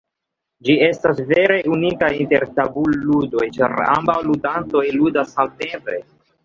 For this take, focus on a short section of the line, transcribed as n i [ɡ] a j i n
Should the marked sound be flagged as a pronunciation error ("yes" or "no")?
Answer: yes